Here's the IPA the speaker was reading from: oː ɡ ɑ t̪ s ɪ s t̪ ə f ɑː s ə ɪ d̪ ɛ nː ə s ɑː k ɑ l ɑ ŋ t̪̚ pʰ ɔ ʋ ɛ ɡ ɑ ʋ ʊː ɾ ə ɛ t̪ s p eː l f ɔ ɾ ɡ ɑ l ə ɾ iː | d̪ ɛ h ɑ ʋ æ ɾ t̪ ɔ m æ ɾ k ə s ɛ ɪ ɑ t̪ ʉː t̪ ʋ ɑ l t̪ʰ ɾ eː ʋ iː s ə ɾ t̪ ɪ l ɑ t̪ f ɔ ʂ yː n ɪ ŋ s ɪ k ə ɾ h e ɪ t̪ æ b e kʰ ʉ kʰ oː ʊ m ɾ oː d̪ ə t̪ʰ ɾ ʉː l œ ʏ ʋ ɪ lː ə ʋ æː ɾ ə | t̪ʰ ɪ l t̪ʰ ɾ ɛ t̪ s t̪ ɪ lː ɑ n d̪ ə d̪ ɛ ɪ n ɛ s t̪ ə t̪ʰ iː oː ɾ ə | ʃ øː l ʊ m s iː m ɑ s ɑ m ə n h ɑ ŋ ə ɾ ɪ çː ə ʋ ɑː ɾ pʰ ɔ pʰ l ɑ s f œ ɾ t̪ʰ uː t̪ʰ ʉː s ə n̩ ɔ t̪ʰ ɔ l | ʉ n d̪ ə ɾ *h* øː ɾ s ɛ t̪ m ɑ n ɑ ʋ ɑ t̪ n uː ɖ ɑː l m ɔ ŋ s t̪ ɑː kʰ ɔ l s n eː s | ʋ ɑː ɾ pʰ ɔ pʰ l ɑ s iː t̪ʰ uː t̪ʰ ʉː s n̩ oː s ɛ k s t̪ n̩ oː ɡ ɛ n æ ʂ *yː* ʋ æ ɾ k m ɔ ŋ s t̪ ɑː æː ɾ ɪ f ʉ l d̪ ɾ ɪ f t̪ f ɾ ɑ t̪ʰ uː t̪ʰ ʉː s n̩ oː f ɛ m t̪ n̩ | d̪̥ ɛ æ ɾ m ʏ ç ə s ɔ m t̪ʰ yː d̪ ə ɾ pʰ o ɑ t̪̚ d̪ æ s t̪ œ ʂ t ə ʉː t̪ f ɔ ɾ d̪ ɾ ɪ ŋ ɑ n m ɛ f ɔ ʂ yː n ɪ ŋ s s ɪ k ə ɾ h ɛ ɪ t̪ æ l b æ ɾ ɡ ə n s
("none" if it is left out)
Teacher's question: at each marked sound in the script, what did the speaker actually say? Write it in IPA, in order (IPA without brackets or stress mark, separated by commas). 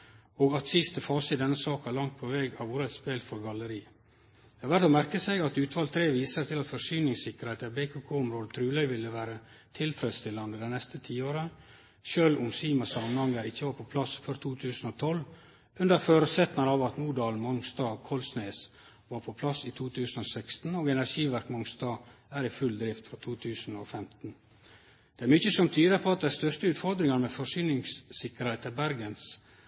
f, iː